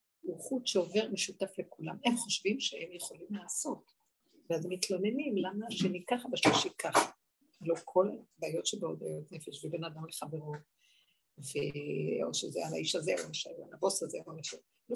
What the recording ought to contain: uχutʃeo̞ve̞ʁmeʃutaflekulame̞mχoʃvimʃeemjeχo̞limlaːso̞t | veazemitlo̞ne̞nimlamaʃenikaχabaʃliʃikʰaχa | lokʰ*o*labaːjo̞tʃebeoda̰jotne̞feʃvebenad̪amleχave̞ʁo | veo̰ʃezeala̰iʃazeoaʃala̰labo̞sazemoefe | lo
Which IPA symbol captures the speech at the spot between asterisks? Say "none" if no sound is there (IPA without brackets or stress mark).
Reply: o